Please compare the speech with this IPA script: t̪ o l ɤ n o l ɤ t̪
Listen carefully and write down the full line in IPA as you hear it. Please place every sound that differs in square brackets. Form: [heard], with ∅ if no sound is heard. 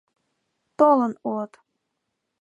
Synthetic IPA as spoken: t̪ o l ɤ n [u] l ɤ t̪

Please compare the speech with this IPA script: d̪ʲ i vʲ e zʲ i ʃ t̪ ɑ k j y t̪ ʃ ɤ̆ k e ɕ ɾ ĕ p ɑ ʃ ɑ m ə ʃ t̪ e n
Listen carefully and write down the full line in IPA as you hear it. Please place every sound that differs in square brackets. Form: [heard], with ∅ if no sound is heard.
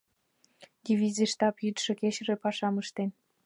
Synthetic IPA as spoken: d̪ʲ i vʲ [i] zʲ i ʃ t̪ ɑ [p] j y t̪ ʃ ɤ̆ k e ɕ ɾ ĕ p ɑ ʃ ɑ m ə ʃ t̪ e n

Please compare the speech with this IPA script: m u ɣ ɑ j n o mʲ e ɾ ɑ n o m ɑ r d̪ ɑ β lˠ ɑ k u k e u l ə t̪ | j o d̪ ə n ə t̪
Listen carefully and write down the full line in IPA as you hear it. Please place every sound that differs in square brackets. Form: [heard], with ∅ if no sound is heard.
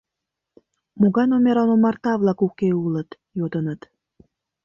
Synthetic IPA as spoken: m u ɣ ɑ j n o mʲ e ɾ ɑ n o m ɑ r [t̪] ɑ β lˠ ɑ k u k e u l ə t̪ | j o d̪ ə n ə t̪

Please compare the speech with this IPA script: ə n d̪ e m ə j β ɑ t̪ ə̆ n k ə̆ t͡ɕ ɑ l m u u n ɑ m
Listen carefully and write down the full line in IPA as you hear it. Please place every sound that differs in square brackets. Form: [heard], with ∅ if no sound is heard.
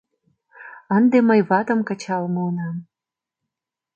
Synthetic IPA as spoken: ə n d̪ e m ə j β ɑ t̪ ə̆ [m] k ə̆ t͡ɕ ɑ l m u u n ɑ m

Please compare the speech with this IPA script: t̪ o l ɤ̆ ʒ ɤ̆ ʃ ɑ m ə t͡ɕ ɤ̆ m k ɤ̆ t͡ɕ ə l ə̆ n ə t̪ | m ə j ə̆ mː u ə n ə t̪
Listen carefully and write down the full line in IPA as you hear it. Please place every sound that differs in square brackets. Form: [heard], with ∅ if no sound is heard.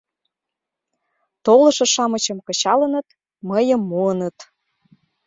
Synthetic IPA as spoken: t̪ o l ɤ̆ [ʃ] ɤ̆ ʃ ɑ m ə t͡ɕ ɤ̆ m k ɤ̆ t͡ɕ [ɑ] l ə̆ n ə t̪ | m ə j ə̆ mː u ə n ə t̪

